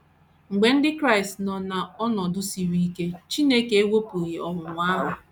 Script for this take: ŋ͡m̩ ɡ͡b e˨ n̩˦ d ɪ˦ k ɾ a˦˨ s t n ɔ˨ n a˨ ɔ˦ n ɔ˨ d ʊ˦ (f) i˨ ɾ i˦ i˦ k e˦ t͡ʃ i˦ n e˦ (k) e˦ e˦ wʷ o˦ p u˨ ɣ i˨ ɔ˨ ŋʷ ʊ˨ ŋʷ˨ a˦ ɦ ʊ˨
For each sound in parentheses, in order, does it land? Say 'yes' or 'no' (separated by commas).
no, yes